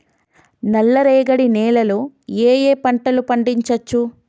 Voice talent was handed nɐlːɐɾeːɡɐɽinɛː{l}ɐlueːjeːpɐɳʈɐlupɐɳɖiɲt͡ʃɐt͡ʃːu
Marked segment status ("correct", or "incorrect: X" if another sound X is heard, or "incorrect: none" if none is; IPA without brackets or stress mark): correct